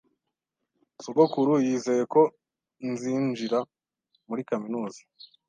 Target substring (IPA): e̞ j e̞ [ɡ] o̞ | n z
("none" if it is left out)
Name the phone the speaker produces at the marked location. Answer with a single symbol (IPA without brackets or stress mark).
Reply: k